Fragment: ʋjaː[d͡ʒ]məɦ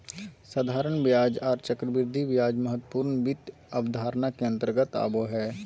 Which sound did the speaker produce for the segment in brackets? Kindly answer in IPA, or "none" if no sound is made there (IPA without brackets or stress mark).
d͡ʒ